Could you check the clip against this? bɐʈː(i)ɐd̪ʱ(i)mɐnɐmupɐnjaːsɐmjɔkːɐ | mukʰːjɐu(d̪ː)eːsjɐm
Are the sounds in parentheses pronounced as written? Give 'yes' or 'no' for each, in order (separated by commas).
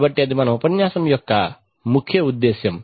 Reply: yes, yes, yes